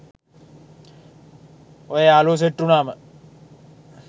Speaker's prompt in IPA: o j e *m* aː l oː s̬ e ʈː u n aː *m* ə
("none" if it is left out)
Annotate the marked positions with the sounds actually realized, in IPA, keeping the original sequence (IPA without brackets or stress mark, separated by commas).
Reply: none, m